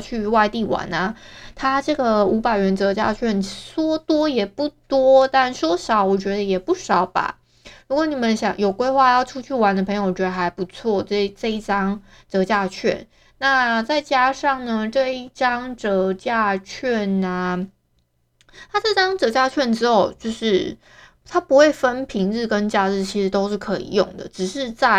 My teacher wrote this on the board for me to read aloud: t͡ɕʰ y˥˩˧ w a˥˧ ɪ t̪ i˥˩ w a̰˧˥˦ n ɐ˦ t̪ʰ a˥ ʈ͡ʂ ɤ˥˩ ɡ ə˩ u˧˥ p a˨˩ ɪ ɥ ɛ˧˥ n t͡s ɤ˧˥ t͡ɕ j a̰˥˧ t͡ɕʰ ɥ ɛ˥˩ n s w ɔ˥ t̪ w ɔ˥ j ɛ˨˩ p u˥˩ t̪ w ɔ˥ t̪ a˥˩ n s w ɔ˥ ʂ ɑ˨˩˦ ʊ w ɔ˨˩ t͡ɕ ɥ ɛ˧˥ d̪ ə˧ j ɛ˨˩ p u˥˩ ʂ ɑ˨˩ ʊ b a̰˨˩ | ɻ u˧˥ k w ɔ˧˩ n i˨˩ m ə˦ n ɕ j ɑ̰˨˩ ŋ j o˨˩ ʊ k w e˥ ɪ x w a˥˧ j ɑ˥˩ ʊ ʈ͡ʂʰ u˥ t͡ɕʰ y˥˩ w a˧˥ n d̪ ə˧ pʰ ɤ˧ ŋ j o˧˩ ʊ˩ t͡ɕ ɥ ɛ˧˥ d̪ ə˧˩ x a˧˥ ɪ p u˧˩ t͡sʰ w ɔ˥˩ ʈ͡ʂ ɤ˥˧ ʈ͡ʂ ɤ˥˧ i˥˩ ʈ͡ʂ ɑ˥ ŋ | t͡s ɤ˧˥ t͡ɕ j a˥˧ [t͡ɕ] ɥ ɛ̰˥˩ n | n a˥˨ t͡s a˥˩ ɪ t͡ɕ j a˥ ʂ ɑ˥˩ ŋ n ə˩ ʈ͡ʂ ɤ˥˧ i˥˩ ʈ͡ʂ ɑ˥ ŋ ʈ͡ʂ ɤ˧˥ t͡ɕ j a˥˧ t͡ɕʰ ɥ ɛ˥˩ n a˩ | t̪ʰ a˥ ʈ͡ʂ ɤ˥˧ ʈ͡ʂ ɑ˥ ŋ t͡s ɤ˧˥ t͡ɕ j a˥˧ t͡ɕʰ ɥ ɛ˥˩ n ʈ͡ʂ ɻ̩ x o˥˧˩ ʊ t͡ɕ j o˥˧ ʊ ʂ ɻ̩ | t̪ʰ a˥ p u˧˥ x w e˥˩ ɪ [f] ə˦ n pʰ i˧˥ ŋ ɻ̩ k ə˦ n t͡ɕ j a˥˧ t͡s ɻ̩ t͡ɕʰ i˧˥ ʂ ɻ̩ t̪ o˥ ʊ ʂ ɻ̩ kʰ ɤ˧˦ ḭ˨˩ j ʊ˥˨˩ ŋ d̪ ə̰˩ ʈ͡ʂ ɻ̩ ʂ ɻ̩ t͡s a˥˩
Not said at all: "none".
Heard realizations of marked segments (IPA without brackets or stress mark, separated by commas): t͡ɕʰ, f